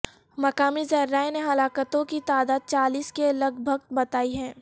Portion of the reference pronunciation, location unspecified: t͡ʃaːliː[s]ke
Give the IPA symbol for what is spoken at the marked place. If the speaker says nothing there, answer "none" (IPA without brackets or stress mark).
s